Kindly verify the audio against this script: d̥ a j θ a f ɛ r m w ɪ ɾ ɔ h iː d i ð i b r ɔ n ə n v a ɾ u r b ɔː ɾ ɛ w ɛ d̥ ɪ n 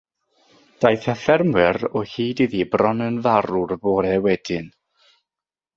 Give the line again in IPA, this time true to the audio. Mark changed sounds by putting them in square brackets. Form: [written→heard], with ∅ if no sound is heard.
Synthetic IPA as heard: d̥ a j θ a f ɛ r m w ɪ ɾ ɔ h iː d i ð i b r ɔ n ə n v a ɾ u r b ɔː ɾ ɛ w ɛ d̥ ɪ n